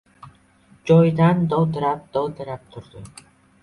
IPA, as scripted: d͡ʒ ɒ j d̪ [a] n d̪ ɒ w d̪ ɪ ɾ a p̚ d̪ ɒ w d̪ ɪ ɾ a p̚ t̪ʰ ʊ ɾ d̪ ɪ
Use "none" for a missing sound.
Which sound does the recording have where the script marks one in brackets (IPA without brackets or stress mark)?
a